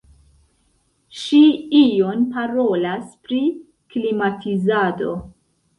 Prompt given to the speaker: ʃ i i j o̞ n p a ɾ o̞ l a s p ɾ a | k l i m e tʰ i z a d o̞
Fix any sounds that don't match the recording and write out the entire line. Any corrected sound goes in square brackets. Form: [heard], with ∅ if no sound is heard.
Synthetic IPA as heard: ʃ i i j o̞ n p a ɾ o̞ l a s p ɾ [i] | k l i m [a] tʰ i z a d o̞